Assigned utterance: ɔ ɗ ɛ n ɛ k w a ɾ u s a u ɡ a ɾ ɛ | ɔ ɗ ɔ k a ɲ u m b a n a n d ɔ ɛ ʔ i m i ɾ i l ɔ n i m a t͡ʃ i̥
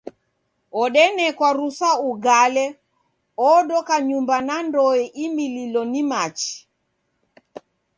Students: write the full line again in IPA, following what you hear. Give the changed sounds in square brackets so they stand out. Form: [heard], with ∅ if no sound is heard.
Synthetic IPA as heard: ɔ ɗ ɛ n ɛ k w a ɾ u s a u ɡ a [l] ɛ | ɔ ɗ ɔ k a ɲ u m b a n a n d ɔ ɛ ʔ i m i [l] i l ɔ n i m a t͡ʃ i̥